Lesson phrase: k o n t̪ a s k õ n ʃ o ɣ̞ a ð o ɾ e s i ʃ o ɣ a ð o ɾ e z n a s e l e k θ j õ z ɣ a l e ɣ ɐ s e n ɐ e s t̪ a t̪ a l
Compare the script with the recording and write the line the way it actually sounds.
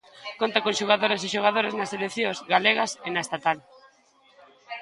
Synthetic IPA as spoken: k o n t̪ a k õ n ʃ o ɣ̞ a ð o ɾ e s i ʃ o ɣ a ð o ɾ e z n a s e l e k θ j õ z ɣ a l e ɣ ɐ s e n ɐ e s t̪ a t̪ a l